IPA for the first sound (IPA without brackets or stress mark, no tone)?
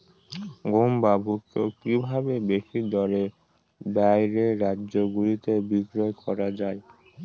ɡ